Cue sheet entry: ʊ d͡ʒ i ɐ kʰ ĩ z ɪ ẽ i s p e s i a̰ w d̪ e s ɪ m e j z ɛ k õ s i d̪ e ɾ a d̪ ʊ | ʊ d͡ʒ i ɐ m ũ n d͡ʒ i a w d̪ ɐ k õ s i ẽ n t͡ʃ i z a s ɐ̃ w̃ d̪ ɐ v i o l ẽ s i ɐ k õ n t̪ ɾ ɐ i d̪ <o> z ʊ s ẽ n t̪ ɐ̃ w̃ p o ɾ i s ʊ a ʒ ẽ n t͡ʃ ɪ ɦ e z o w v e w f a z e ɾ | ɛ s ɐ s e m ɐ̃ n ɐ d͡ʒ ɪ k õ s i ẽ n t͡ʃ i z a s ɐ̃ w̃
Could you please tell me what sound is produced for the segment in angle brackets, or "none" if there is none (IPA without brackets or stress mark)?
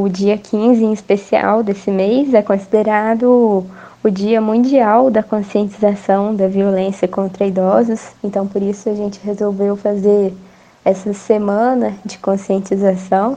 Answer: ɔ